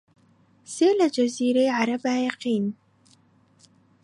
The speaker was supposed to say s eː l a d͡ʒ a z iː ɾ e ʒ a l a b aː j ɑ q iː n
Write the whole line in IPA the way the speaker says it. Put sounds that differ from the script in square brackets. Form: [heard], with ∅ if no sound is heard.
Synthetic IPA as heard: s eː l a d͡ʒ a z iː ɾ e [ʕ] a [ɾ] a b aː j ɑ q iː n